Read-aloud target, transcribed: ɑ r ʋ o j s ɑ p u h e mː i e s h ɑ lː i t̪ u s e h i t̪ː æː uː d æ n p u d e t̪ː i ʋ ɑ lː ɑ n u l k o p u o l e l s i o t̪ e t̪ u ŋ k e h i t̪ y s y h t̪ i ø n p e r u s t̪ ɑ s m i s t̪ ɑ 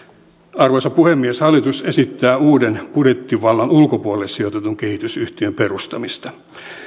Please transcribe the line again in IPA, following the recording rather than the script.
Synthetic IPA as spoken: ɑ r ʋ o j s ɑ p u h e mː i e s h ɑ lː i t̪ u s e s i t̪ː æː uː d e n p u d e t̪ː i ʋ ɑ lː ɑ n u l k o p u o l e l s i o t̪ e t̪ u ŋ k e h i t̪ y s y h t̪ i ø m p e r u s t̪ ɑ m i s t̪ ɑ